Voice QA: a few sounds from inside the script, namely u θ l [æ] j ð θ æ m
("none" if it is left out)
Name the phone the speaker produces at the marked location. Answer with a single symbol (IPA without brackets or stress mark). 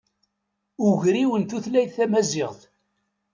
æ